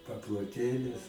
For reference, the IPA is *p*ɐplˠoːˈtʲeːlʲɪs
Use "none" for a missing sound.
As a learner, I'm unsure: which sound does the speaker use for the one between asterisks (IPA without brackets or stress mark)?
p